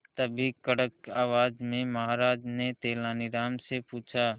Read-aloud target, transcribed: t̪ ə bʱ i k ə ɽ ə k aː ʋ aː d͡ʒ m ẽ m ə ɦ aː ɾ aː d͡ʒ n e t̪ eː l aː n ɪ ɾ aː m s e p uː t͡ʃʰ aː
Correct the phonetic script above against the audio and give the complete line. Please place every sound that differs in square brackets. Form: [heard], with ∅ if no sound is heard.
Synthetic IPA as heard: t̪ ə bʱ i k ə ɽ ə k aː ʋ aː d͡ʒ m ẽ m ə ɦ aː ɾ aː d͡ʒ n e t̪ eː l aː n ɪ ɾ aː m s e p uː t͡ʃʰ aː